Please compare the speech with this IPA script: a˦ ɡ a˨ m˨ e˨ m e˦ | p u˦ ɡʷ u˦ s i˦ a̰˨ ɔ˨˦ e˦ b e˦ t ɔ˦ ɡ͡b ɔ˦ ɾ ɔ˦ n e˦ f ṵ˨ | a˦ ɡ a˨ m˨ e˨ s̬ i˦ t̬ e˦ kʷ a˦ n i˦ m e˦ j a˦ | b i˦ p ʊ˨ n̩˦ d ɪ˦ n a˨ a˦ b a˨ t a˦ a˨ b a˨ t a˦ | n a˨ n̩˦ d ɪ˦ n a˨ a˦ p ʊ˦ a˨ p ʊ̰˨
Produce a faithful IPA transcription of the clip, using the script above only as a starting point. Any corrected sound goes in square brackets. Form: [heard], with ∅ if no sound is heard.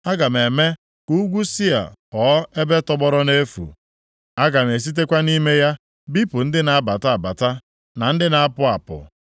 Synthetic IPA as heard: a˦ ɡ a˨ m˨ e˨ m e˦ | [k] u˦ ɡʷ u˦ s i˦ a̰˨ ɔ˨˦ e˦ b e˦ t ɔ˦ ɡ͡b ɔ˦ ɾ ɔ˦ n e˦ f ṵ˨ | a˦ ɡ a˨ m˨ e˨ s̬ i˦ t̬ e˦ kʷ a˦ n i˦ m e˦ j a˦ | b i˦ p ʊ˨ n̩˦ d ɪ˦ n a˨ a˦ b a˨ t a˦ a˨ b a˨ t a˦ | n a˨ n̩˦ d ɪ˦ n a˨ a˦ p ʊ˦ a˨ p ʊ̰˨